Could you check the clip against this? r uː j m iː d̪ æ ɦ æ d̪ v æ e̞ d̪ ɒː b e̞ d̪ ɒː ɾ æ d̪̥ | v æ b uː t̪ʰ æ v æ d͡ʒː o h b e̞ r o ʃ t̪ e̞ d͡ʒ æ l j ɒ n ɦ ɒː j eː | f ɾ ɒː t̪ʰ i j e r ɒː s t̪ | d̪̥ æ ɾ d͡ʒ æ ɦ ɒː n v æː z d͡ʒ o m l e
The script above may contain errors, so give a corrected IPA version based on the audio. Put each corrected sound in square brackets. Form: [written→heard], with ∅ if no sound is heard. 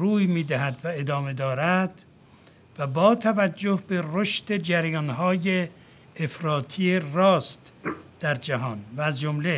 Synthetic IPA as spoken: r uː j m iː d̪ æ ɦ æ d̪ v æ e̞ d̪ ɒː [b→m] e̞ d̪ ɒː ɾ æ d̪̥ | v æ b [uː→ɒː] t̪ʰ æ v æ d͡ʒː o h b e̞ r o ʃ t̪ e̞ d͡ʒ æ [l→ɾ] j ɒ n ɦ ɒː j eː | f ɾ ɒː t̪ʰ i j e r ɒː s t̪ | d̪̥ æ ɾ d͡ʒ æ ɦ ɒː n v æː z d͡ʒ o m l e